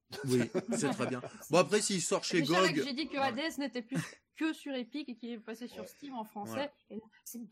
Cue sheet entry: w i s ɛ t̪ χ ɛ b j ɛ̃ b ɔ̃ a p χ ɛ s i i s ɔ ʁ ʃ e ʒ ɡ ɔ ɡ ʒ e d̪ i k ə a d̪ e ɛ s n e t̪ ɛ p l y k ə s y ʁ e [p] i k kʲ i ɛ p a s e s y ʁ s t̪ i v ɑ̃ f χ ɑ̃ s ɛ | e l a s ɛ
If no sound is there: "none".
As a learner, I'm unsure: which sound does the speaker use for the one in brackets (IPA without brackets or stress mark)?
p